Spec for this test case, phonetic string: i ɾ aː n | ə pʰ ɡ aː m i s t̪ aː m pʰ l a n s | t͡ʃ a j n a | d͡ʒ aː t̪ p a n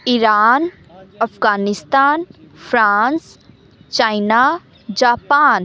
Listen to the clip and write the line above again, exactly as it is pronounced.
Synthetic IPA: i ɾ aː n | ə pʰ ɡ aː n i s t̪ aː n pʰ ɾ a n s | t͡ʃ a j n a | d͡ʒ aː p a n